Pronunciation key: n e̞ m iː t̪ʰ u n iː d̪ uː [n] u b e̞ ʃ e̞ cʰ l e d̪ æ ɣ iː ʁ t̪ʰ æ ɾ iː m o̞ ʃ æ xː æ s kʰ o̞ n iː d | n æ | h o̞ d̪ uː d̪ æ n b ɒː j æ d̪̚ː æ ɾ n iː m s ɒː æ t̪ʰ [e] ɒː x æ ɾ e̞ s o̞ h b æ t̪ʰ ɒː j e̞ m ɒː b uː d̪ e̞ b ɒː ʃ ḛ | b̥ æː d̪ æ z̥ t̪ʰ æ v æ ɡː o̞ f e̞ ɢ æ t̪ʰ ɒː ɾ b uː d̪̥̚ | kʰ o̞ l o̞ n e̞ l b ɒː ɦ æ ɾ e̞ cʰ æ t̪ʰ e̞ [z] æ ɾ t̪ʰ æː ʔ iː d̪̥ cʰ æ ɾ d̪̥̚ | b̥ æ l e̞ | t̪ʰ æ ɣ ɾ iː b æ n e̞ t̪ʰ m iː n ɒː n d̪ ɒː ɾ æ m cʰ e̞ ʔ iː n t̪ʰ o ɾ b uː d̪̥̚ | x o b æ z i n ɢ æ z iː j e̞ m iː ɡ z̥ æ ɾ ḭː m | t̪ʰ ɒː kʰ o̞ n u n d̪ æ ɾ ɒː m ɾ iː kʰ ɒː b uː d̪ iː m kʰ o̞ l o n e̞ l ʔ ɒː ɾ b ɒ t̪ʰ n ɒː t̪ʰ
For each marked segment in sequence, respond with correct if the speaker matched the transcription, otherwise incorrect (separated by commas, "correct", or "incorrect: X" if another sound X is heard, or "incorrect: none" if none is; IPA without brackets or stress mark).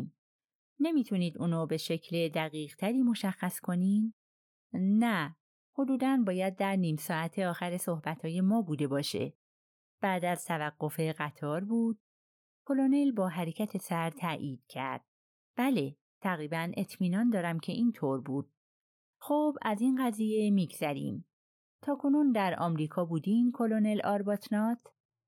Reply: correct, correct, incorrect: s